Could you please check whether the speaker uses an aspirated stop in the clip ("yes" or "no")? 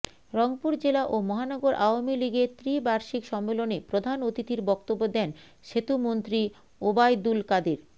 no